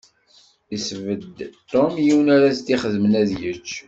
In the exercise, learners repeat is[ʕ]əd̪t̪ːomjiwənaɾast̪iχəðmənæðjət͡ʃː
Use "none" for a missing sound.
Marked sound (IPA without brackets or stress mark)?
v